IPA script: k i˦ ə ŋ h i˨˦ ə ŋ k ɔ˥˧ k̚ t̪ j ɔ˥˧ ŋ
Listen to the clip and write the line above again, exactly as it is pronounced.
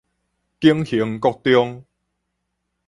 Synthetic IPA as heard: k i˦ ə ŋ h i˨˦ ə ŋ k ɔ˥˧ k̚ t̪ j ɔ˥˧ ŋ